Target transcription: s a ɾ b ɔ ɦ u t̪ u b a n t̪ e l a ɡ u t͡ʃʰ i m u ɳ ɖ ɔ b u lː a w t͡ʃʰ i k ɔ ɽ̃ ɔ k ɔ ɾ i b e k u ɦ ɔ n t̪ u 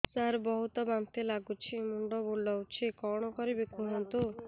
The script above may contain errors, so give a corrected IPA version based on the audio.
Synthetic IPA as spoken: s a ɾ b ɔ ɦ u t̪ ɔ b a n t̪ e l a ɡ u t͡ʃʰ i m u ɳ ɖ ɔ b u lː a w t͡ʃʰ i k ɔ ɽ̃ ɔ k ɔ ɾ i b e k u ɦ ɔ n t̪ u